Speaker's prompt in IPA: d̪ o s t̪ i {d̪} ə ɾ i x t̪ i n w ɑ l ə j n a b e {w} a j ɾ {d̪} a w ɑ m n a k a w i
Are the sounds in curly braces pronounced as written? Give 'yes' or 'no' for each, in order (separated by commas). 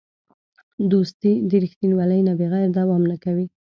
yes, no, yes